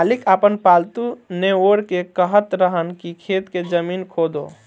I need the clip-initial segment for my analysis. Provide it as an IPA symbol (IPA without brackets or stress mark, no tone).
l